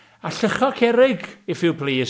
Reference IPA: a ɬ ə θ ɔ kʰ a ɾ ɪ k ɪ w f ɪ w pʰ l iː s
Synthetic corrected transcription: a ɬ ə χ ɔ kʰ ɛ ɾ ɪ ɡ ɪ f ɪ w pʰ l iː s